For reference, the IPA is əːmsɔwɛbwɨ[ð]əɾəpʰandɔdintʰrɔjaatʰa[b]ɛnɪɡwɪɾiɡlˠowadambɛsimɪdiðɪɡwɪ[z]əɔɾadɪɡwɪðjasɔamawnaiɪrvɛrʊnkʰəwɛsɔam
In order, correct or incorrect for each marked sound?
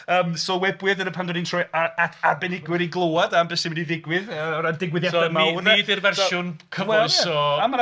correct, correct, incorrect: ð

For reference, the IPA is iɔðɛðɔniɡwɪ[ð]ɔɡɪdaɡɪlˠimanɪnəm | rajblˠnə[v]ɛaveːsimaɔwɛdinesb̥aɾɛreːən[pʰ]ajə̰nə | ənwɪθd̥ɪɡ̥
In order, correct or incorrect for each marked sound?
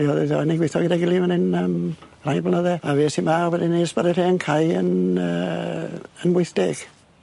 incorrect: θ, incorrect: ð, incorrect: kʰ

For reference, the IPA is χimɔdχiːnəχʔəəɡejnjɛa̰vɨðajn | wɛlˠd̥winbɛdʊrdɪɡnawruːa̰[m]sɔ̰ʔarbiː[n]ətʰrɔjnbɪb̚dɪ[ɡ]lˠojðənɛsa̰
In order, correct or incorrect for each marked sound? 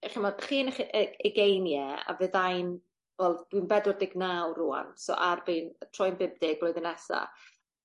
incorrect: n, correct, correct

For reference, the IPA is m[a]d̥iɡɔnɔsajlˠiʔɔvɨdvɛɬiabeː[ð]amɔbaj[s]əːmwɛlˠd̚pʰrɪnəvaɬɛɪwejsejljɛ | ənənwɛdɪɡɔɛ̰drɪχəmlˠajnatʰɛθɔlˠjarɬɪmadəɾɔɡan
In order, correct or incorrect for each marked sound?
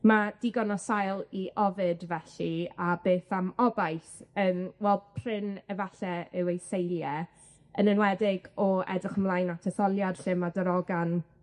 correct, incorrect: θ, incorrect: θ

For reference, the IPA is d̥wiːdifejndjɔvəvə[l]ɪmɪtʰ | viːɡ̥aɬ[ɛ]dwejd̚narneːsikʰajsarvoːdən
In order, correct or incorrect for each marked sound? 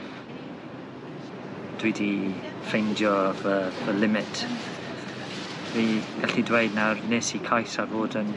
correct, incorrect: i

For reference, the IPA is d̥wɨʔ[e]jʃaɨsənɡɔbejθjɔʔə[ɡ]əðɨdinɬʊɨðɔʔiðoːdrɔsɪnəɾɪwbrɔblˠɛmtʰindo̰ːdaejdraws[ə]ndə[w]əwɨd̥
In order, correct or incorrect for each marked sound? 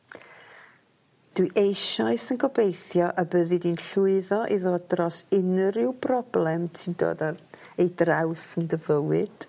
correct, incorrect: b, correct, incorrect: v

